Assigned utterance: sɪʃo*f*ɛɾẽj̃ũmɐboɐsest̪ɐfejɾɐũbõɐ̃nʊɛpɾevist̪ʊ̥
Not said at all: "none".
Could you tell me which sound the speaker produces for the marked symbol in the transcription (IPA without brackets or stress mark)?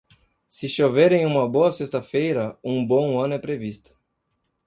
v